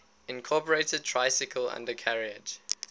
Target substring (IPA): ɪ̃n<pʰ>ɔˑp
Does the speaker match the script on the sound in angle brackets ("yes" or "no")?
no